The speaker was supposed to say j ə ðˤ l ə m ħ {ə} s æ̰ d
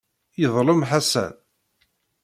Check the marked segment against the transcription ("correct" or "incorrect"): incorrect